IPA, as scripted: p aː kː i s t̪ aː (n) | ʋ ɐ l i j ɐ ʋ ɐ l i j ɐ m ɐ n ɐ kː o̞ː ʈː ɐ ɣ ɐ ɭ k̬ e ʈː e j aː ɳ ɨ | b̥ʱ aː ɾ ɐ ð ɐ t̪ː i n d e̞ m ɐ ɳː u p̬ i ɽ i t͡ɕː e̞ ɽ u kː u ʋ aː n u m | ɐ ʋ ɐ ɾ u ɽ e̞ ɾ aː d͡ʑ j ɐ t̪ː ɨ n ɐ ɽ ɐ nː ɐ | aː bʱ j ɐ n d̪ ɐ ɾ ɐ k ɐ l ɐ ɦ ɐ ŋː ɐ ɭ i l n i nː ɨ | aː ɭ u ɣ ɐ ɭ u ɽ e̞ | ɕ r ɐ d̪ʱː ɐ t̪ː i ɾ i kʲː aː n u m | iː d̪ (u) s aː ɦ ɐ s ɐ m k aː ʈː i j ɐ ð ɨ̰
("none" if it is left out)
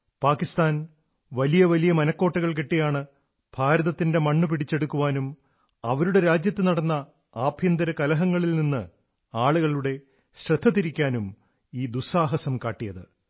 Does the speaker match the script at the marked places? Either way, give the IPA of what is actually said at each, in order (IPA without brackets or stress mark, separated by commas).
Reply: n, u